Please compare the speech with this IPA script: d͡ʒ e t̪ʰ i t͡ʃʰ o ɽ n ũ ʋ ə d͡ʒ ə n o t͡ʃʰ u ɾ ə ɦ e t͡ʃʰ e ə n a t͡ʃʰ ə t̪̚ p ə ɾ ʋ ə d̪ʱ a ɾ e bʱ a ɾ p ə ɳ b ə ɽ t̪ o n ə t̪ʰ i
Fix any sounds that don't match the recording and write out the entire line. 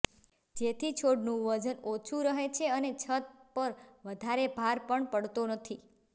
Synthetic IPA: d͡ʒ e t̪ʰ i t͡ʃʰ o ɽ n ũ ʋ ə d͡ʒ ə n o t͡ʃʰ u ɾ ə ɦ e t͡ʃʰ e ə n e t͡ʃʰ ə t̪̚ p ə ɾ ʋ ə d̪ʱ a ɾ e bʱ a ɾ p ə ɳ p ə ɽ t̪ o n ə t̪ʰ i